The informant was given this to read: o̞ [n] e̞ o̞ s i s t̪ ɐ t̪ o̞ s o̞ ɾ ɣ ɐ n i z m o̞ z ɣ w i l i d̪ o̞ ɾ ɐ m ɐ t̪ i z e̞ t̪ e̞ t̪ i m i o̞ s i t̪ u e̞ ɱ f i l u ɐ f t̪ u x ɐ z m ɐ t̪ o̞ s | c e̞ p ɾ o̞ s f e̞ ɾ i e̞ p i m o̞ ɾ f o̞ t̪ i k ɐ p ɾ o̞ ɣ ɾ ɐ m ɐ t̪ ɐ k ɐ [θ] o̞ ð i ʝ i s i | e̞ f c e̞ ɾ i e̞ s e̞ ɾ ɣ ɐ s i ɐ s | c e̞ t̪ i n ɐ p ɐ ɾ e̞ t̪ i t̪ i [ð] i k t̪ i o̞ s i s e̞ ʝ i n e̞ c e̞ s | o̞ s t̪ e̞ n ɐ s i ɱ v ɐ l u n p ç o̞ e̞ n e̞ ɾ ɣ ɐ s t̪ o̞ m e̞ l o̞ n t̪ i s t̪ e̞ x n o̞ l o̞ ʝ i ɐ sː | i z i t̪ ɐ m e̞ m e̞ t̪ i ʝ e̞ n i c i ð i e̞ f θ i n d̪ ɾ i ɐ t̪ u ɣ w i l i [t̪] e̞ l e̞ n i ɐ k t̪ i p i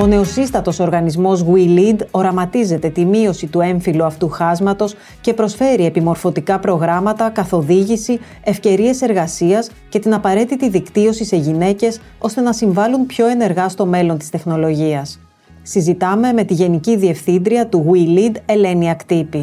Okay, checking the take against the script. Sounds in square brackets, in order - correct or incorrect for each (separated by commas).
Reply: correct, correct, correct, incorrect